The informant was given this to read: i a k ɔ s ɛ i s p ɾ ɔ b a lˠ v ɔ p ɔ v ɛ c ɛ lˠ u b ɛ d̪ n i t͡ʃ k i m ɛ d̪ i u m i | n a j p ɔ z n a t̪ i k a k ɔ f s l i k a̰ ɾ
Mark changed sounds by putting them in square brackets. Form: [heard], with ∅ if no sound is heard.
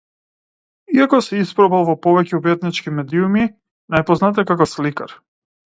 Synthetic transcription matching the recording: i a k ɔ s ɛ i s p ɾ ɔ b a lˠ v ɔ p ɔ v ɛ c ɛ [∅] u b ɛ [t̪] n i t͡ʃ k i m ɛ d̪ i u m i | n a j p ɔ z n a t̪ [ɛ] k a k ɔ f s l i k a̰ ɾ

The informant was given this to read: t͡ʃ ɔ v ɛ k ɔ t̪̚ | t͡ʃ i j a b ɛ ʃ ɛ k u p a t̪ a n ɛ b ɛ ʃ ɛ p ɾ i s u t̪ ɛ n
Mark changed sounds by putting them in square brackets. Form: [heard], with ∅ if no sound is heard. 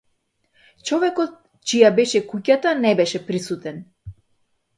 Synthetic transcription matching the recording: t͡ʃ ɔ v ɛ k ɔ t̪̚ | t͡ʃ i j a b ɛ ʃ ɛ k u [c] a t̪ a n ɛ b ɛ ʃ ɛ p ɾ i s u t̪ ɛ n

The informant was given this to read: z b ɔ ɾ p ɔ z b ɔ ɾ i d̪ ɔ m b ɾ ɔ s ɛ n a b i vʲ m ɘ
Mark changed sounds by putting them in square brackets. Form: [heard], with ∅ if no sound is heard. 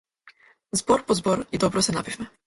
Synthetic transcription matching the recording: z b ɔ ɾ p ɔ z b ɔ ɾ i d̪ ɔ [∅] b ɾ ɔ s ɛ n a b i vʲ m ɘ

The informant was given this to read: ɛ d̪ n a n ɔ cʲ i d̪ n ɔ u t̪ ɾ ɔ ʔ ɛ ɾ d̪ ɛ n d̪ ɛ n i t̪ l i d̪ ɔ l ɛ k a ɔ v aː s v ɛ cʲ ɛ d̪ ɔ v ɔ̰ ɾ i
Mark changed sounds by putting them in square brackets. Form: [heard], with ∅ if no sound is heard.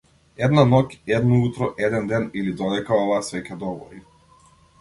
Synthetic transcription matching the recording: ɛ d̪ n a n ɔ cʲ [ɛ] d̪ n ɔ u t̪ ɾ ɔ ʔ ɛ [∅] d̪ ɛ n d̪ ɛ n i [∅] l i d̪ ɔ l ɛ k a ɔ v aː s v ɛ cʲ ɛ d̪ ɔ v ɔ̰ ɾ i

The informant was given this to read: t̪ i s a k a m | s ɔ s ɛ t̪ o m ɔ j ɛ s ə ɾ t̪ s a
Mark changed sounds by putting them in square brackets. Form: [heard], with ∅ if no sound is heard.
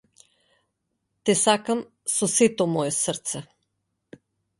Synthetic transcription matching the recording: t̪ [ɛ] s a k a m | s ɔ s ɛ t̪ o m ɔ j ɛ s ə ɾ t̪ s [ɛ]

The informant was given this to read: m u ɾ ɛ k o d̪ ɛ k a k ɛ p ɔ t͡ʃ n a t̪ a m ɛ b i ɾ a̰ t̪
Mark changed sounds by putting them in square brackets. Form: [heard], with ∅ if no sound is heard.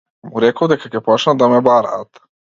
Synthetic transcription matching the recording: m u ɾ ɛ k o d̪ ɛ k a k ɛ p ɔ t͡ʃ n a [d̪] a m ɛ b [a] ɾ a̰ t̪

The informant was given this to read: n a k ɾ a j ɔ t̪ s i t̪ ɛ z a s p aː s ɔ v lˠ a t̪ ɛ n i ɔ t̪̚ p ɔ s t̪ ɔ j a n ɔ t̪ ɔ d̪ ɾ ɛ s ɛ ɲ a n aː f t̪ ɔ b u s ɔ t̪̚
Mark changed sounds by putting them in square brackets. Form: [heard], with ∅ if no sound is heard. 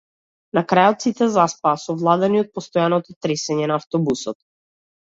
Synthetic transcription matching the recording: n a k ɾ a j ɔ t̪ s i t̪ ɛ z a s p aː s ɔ v lˠ a [d̪] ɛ n i ɔ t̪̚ p ɔ s t̪ ɔ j a n ɔ t̪ ɔ [t̪] ɾ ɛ s ɛ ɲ [ɛ] n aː f t̪ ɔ b u s ɔ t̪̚

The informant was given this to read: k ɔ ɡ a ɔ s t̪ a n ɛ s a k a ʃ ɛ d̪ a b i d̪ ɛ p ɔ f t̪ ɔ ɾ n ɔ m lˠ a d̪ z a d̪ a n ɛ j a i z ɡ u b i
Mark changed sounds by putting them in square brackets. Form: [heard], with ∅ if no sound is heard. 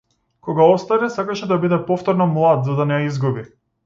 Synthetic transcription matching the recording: k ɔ ɡ a ɔ s t̪ a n ɛ s a k a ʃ ɛ d̪ a b i d̪ ɛ p ɔ f t̪ ɔ ɾ n ɔ m lˠ a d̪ z a d̪ a n ɛ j a i z ɡ u b i

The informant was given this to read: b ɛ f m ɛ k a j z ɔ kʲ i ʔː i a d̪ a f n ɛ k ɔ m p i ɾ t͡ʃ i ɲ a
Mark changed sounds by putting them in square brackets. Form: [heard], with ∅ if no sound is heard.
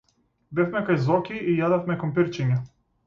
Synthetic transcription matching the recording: b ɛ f m ɛ k a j z ɔ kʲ i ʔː [j] a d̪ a f [m] ɛ k ɔ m p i ɾ t͡ʃ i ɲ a

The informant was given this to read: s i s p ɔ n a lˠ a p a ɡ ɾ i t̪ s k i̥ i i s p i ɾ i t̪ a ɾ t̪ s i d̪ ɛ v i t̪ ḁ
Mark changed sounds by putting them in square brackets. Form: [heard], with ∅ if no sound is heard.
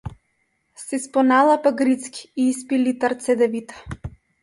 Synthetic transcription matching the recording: s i s p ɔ n a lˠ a p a ɡ ɾ i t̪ s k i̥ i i s p i [l] i t̪ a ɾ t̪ s [ɛ] d̪ ɛ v i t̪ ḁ

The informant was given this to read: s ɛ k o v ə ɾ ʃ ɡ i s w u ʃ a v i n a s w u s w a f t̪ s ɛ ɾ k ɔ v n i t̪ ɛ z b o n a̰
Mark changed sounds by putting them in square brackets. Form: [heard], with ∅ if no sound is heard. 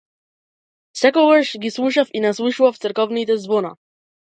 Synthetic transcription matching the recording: s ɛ k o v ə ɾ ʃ ɡ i s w u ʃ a [f] i n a s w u [ʃ] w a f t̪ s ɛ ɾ k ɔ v n i t̪ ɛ z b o n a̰

